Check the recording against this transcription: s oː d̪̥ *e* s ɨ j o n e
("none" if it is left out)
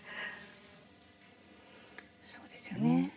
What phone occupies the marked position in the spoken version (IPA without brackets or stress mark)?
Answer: e